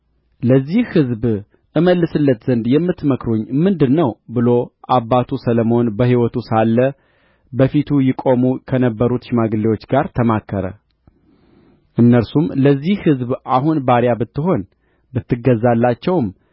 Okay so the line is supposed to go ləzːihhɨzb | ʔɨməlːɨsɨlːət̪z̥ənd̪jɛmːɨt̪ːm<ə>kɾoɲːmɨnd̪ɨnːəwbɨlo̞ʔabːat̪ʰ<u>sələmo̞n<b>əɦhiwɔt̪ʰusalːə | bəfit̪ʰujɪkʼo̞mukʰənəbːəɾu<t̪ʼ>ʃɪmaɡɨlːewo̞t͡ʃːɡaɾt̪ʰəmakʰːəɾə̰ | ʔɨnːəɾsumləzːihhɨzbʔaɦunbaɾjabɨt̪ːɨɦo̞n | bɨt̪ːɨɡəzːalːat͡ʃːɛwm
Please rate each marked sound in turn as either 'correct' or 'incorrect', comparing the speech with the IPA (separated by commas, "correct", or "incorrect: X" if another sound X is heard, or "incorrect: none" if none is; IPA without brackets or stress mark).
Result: correct, correct, correct, incorrect: t̪